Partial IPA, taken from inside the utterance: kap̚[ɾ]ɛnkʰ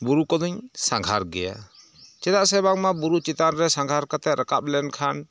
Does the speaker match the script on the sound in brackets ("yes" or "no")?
no